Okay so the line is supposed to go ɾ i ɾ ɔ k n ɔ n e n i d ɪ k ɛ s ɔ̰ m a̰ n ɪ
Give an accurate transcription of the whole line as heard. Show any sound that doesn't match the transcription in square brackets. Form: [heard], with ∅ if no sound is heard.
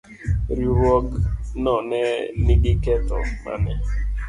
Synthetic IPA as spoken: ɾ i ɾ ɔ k n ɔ n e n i [ɡ] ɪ k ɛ [t] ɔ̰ m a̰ n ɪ